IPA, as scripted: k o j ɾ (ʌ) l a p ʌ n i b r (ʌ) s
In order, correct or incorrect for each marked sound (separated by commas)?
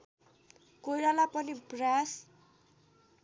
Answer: incorrect, incorrect